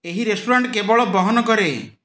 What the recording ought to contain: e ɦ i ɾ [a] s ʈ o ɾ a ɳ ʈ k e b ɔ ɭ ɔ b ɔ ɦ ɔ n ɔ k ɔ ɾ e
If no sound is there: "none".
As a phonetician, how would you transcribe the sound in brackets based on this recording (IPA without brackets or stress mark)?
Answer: e